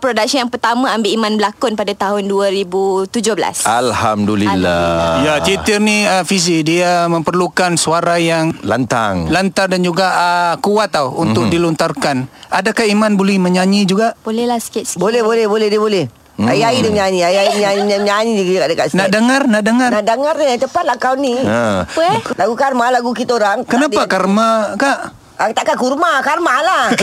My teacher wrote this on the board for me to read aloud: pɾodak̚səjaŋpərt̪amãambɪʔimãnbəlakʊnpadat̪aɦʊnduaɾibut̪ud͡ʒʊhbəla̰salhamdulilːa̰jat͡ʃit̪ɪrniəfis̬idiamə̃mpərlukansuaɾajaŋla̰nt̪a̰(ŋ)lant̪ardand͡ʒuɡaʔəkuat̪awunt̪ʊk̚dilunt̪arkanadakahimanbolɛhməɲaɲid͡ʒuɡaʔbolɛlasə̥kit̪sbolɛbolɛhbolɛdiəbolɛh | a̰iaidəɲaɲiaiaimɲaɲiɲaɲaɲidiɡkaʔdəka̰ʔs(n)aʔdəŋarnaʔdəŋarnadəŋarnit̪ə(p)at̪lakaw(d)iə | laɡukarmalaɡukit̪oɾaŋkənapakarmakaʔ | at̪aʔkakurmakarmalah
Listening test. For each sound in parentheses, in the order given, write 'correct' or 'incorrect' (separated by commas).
correct, correct, correct, incorrect